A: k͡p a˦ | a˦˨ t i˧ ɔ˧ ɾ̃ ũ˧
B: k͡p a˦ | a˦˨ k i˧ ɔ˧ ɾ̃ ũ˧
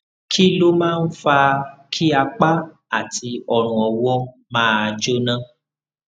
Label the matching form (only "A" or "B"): A